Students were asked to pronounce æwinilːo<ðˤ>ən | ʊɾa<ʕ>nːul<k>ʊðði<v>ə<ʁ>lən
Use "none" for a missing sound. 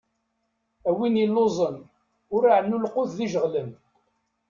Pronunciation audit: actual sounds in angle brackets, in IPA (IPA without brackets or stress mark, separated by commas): zˤ, ʕ, q, ʒ, ʁ